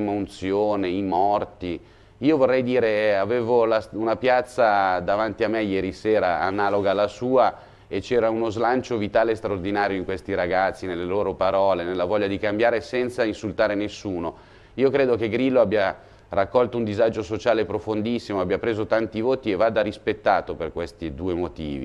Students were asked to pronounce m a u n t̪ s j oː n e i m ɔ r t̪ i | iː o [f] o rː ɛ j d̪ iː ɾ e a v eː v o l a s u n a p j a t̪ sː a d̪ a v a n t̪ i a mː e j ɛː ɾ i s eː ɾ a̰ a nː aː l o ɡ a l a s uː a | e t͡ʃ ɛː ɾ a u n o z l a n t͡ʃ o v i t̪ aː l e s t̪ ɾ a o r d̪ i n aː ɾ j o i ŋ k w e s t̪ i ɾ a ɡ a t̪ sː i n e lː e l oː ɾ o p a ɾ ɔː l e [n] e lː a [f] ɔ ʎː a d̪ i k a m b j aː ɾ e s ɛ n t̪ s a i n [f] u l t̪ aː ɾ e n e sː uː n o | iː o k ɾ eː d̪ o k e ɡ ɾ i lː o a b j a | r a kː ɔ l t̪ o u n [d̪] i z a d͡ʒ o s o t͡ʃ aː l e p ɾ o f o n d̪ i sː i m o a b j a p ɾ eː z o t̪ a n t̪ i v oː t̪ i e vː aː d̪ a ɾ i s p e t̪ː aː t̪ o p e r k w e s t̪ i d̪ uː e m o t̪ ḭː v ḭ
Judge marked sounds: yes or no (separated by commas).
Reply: no, yes, no, no, yes